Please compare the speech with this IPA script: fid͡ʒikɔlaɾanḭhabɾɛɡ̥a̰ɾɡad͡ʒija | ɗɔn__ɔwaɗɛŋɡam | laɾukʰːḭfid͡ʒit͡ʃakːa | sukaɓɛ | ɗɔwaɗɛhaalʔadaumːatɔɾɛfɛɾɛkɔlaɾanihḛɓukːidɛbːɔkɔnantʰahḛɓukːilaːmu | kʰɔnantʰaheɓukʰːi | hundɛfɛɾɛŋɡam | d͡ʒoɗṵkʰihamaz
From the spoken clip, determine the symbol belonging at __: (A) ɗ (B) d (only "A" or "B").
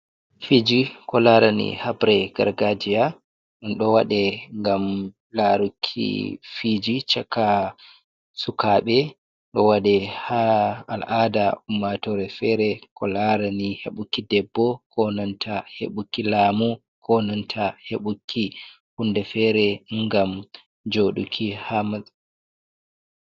A